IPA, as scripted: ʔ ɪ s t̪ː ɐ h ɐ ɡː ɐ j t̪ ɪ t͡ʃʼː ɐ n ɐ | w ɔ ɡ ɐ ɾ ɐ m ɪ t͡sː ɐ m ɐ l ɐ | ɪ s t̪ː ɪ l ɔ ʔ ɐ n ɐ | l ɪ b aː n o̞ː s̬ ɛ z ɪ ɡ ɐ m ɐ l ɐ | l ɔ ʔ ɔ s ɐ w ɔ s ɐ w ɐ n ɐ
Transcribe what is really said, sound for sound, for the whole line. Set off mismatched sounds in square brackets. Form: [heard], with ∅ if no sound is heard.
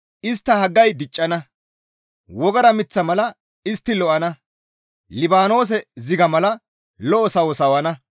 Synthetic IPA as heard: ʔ ɪ s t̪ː ɐ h ɐ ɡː ɐ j [d̪] ɪ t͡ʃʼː ɐ n ɐ | w ɔ ɡ ɐ ɾ ɐ m ɪ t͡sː ɐ m ɐ l ɐ | ɪ s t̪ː ɪ l ɔ ʔ ɐ n ɐ | l ɪ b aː n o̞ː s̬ ɛ z ɪ ɡ ɐ m ɐ l ɐ | l ɔ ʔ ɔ s ɐ w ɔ s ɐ w ɐ n ɐ